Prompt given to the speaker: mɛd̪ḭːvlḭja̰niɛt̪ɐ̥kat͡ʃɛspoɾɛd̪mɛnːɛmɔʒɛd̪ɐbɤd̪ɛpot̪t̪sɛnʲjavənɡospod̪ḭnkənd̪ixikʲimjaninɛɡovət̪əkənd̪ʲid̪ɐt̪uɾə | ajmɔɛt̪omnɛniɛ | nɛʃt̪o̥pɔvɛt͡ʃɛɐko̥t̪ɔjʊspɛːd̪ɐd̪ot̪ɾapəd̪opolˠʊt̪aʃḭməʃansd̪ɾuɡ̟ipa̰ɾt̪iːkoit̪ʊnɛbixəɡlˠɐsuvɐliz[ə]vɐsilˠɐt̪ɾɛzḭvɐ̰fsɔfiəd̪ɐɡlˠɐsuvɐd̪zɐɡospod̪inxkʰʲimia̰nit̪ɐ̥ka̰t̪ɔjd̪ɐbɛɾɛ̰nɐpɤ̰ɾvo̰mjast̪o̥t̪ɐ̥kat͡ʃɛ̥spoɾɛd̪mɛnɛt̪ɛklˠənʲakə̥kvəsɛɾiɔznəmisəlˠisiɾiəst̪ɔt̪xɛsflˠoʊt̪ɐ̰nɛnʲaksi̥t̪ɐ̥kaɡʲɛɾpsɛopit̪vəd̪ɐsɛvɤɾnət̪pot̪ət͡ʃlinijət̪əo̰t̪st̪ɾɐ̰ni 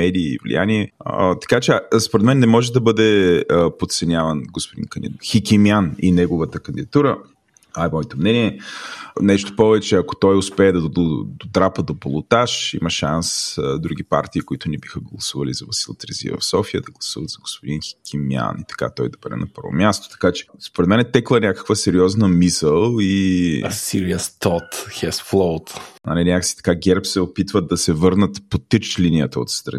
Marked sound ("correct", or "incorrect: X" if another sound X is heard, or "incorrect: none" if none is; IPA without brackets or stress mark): incorrect: ɐ